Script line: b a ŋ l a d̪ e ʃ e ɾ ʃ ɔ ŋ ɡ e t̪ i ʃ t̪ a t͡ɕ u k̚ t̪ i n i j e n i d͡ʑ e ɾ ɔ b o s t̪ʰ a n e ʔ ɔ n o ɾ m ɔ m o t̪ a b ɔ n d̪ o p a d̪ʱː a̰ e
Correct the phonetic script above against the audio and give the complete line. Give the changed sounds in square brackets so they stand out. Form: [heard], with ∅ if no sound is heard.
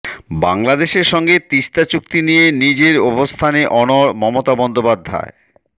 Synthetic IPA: b a ŋ l a d̪ e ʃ e ɾ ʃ ɔ ŋ ɡ e t̪ i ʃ t̪ a t͡ɕ u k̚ t̪ i n i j e n i d͡ʑ e ɾ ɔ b o s t̪ʰ a n e ʔ ɔ n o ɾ m ɔ m o t̪ a b ɔ n d̪ o p a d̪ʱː a̰ e